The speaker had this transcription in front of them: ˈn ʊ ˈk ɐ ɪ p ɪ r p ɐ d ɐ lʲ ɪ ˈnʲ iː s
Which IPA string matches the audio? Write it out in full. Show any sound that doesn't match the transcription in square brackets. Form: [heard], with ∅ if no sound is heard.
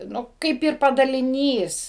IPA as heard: ˈn ʊ ˈk ɐ ɪ p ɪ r p ɐ d ɐ lʲ ɪ ˈnʲ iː s